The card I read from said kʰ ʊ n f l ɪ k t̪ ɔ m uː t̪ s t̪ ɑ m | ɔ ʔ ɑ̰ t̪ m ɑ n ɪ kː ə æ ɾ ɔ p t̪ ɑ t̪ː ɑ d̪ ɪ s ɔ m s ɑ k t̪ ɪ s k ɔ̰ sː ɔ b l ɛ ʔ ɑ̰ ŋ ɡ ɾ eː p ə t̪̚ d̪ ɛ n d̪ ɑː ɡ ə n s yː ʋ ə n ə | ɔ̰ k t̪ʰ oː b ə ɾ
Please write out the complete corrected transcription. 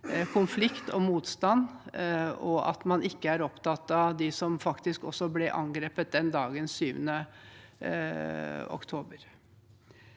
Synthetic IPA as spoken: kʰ ʊ n f l ɪ k t̪ ɔ m uː t̪ s t̪ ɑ n | ɔ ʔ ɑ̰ t̪ m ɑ n ɪ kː ə æ ɾ ɔ p t̪ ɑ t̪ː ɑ d̪ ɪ s ɔ m f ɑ k t̪ ɪ s k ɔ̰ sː ɔ b l ɛ ʔ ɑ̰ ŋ ɡ ɾ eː p ə t̪̚ d̪ ɛ n d̪ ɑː ɡ ə n s yː ʋ ə n ə | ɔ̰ k t̪ʰ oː b ə ɾ